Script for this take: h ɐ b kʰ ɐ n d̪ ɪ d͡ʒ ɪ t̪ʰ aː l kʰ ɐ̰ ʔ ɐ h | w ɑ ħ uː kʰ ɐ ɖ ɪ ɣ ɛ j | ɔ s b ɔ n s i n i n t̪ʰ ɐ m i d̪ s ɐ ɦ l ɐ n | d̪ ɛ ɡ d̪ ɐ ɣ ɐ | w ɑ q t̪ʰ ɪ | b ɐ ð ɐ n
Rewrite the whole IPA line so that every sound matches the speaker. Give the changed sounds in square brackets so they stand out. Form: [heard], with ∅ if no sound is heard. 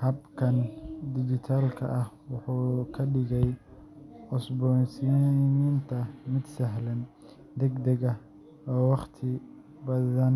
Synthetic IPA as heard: h ɐ b kʰ ɐ n d̪ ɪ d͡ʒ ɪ t̪ʰ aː l kʰ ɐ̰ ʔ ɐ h | w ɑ ħ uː kʰ ɐ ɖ ɪ ɣ ɛ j | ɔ s b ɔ n s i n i n t̪ʰ ɐ m [ɪ] d̪ s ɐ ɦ l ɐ n | d̪ ɛ ɡ d̪ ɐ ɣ ɐ | w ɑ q t̪ʰ ɪ | b ɐ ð ɐ n